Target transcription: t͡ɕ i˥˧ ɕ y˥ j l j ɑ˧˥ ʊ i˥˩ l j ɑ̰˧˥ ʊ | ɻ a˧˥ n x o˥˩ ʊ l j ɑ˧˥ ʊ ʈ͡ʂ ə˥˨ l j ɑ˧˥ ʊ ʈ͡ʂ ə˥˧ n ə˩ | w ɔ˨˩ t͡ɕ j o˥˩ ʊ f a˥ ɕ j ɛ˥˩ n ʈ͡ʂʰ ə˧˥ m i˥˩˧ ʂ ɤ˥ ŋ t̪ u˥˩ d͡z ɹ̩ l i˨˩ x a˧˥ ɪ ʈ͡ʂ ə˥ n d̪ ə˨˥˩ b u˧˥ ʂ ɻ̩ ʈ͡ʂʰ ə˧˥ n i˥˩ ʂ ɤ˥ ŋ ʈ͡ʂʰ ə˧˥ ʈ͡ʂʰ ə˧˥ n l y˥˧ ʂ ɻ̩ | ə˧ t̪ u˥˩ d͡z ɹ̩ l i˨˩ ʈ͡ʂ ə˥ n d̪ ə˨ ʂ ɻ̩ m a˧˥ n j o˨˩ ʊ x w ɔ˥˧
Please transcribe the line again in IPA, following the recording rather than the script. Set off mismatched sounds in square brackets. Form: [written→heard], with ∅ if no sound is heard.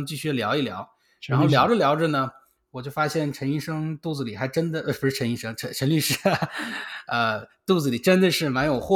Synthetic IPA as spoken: t͡ɕ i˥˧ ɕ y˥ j l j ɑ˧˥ ʊ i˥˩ l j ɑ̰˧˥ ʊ | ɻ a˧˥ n x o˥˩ ʊ l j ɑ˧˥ ʊ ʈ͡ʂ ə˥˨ l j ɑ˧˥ ʊ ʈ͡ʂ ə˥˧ n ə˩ | w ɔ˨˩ t͡ɕ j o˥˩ ʊ f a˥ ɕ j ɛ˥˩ n ʈ͡ʂʰ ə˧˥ [m→n] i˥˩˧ ʂ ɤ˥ ŋ t̪ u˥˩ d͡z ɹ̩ l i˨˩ x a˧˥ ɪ ʈ͡ʂ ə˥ n d̪ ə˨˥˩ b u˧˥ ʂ ɻ̩ ʈ͡ʂʰ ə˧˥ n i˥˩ ʂ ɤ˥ ŋ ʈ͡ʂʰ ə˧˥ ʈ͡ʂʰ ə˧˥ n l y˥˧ ʂ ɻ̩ | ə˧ t̪ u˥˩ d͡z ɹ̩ l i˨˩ ʈ͡ʂ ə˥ n d̪ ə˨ ʂ ɻ̩ m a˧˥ n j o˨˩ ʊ x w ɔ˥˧